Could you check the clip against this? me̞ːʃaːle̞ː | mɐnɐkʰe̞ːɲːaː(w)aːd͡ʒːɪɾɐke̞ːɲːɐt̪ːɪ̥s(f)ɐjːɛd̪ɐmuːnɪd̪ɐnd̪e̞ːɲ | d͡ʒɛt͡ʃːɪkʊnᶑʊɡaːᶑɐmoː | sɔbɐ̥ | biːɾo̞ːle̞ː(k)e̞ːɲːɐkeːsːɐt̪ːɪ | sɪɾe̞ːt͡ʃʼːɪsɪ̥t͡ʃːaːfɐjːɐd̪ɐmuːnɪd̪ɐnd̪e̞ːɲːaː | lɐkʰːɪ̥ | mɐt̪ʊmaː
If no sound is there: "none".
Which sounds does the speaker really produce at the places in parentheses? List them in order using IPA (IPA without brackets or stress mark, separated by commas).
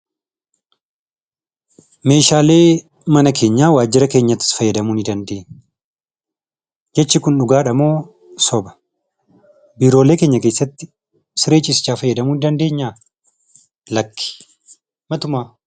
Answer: w, f, k